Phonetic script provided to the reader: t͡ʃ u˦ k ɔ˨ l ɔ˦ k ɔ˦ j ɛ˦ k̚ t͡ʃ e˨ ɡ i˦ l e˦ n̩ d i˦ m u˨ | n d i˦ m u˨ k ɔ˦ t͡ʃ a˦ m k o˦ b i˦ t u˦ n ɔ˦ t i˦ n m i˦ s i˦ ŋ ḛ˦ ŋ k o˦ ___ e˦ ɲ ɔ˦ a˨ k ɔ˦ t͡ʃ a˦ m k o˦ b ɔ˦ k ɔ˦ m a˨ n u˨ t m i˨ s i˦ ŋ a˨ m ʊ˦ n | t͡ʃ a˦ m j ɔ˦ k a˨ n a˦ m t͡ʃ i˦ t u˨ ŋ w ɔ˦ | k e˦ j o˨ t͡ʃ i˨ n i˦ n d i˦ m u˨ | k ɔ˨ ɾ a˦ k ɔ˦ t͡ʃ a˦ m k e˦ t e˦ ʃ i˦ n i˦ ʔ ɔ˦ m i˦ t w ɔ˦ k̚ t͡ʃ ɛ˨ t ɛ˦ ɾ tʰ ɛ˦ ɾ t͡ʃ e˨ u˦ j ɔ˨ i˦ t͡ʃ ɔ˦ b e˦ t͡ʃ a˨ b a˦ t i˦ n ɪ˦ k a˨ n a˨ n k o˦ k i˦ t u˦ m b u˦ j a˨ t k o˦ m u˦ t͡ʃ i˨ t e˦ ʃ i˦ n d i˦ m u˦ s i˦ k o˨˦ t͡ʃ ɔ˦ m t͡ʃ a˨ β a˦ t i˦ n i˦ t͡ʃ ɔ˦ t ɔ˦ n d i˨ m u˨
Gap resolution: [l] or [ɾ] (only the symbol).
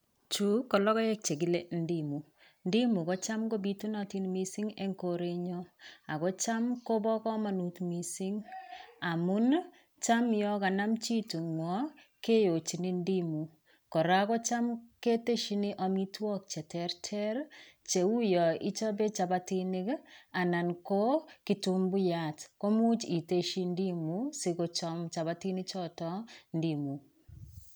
ɾ